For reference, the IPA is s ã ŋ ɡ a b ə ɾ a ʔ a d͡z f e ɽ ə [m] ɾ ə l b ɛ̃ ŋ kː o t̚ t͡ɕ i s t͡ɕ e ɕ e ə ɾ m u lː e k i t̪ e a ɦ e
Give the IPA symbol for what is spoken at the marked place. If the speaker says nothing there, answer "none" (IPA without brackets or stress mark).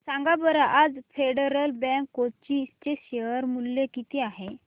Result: none